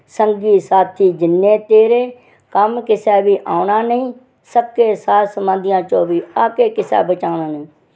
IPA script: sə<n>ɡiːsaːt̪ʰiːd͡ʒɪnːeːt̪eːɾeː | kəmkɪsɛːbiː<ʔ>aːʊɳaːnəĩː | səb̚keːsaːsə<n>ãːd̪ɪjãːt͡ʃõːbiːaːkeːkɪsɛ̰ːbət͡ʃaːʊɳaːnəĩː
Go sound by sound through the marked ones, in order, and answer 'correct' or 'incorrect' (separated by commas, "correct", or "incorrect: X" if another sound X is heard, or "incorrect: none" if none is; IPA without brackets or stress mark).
incorrect: ŋ, correct, incorrect: m